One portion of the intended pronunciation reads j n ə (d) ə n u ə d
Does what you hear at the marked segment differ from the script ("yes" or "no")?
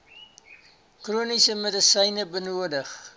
yes